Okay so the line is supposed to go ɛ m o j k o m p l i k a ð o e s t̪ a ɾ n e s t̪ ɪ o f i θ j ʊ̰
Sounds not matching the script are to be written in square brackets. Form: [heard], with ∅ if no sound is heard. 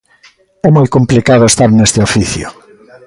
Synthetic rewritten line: ɛ m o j k o m p l i k a ð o e s t̪ a ɾ n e s t̪ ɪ o f i θ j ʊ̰